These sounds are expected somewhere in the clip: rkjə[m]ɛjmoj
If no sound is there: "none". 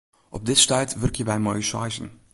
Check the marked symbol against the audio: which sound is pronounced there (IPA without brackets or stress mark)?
b